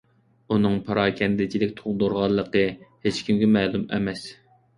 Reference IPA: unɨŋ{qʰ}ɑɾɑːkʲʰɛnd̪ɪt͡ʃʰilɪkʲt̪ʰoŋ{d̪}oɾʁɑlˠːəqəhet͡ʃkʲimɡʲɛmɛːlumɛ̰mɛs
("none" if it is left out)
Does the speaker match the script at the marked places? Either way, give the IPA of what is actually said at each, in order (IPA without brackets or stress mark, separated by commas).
pʰ, d̪